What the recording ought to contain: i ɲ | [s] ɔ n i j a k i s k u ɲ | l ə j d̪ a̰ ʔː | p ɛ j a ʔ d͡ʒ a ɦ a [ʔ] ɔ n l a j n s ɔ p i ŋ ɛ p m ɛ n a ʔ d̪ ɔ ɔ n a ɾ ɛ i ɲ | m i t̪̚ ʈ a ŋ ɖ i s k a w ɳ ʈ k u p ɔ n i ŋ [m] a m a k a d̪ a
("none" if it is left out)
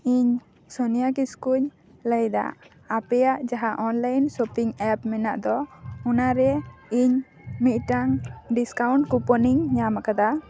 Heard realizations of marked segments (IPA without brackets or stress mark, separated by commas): s, ʔ, ɲ